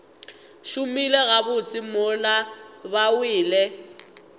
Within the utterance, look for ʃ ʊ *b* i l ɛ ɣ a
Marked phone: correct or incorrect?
incorrect